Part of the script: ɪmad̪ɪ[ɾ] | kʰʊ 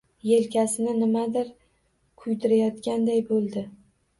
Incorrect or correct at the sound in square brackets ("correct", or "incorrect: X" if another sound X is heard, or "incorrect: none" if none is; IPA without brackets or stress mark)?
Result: correct